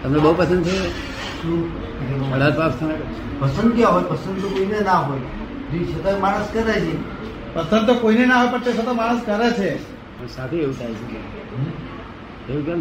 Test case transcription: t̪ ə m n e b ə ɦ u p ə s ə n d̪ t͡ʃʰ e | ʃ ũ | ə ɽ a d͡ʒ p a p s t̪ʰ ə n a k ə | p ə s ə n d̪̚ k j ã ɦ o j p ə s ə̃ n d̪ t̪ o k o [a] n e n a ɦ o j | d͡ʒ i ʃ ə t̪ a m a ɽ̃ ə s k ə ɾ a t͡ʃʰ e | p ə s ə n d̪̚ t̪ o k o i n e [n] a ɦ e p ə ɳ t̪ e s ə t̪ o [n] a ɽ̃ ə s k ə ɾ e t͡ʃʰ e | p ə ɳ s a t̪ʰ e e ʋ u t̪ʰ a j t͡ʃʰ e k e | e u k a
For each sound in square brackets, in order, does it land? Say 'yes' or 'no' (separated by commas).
no, yes, no